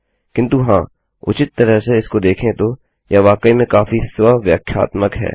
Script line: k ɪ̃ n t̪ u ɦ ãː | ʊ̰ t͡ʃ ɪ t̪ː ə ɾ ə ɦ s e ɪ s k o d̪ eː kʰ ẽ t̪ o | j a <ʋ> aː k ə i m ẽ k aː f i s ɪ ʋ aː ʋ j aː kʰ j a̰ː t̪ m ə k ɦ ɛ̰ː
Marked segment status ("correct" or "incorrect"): correct